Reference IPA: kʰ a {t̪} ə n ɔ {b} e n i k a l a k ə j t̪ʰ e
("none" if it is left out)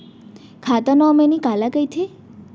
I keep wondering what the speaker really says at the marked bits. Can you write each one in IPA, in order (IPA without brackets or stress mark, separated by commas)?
t̪, m